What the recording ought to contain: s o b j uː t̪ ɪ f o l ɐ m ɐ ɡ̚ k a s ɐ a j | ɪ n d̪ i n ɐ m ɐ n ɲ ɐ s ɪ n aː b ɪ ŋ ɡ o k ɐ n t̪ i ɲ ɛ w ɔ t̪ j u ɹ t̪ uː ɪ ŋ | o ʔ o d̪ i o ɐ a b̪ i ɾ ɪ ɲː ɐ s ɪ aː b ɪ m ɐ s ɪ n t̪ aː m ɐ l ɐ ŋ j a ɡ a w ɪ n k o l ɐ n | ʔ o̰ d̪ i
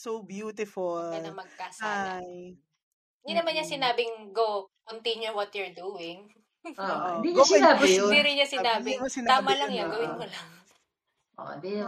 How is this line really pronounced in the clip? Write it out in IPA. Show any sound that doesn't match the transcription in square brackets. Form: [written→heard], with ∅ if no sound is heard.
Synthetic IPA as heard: s o b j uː t̪ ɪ f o l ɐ m ɐ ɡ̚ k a s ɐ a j | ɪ n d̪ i n ɐ m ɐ n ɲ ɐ s ɪ n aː b ɪ ŋ ɡ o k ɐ n t̪ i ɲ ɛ w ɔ t̪ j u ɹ [t̪→d̪] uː ɪ ŋ | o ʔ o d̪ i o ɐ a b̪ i ɾ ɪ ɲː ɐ s ɪ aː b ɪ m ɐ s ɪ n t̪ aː m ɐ l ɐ ŋ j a ɡ [a→ɐ] w ɪ n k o l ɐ [n→ŋ] | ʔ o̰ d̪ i